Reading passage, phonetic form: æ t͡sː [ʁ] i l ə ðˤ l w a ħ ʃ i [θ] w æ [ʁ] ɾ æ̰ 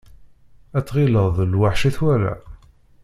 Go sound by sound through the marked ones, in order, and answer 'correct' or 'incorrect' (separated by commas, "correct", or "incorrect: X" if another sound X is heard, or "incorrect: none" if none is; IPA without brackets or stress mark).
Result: correct, correct, incorrect: none